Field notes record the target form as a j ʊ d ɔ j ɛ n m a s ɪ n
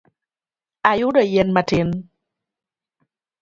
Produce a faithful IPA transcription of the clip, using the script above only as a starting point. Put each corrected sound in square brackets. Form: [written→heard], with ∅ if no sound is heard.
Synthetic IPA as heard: a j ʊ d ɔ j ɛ n m a [s→t] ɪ n